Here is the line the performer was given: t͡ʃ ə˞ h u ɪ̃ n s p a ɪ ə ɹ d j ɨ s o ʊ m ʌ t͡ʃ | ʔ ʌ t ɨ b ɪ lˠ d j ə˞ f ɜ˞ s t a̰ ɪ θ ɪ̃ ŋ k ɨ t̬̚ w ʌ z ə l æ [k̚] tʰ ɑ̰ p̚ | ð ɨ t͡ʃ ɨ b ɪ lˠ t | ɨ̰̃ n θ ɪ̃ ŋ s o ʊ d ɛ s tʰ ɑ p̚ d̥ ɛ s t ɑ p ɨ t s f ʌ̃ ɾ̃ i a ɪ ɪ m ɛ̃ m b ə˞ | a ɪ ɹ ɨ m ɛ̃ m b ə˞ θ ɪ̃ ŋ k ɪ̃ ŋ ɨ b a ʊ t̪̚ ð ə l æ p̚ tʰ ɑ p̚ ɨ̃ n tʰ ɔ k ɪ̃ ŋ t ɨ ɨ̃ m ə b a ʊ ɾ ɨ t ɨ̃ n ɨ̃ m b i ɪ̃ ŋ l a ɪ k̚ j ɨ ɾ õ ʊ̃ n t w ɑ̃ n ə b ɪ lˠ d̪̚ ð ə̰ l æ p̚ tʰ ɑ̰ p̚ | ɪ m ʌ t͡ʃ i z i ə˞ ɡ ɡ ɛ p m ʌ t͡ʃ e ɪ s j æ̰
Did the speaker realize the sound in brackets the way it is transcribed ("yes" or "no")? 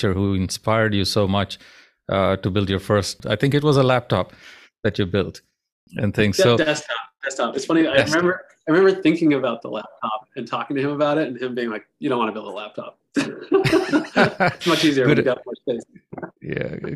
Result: no